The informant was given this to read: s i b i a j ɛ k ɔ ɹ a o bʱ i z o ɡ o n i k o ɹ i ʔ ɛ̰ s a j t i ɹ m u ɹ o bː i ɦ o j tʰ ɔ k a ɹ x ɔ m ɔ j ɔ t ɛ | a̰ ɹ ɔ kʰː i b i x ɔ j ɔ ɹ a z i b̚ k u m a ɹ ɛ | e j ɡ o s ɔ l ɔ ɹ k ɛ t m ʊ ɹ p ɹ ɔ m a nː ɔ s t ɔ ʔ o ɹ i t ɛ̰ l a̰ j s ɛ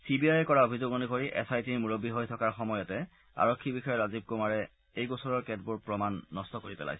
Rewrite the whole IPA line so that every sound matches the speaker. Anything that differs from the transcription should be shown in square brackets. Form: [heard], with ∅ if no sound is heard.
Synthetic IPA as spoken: s i b i a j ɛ k ɔ ɹ a o bʱ i z o ɡ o n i k o ɹ i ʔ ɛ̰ s a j t i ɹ m u ɹ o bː i ɦ o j tʰ ɔ k a ɹ x ɔ m ɔ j ɔ t ɛ | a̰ ɹ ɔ kʰː i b i x ɔ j ɔ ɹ a z i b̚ k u m a ɹ ɛ | e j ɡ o s ɔ [ɹ] ɔ ɹ k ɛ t [b] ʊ ɹ p ɹ ɔ m a nː ɔ s t ɔ [k] o ɹ i [p] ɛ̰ l a̰ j s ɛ